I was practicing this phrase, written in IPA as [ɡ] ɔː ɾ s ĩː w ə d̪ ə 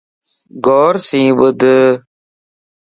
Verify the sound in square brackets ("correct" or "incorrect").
correct